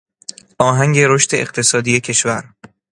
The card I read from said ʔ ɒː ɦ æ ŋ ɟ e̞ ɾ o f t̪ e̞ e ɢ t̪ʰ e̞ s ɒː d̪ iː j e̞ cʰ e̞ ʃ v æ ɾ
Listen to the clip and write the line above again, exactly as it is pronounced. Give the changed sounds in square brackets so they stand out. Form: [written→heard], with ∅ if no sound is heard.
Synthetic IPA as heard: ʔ ɒː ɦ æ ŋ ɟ e̞ ɾ o [f→ʃ] t̪ e̞ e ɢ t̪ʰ e̞ s ɒː d̪ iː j e̞ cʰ e̞ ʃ v æ ɾ